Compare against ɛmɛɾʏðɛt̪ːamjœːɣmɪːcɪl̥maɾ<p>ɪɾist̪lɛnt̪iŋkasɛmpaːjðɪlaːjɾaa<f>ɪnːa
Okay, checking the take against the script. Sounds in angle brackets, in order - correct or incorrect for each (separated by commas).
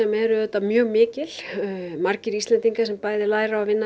incorrect, incorrect